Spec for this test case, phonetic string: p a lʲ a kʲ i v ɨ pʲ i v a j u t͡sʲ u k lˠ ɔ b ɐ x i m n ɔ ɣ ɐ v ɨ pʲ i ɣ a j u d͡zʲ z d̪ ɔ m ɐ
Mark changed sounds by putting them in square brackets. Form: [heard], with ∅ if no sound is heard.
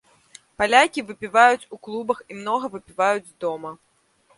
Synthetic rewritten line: p a lʲ a kʲ i v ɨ pʲ i v a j u t͡sʲ u k lˠ [u] b ɐ x i m n ɔ ɣ ɐ v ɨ pʲ i [v] a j u d͡zʲ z d̪ ɔ m ɐ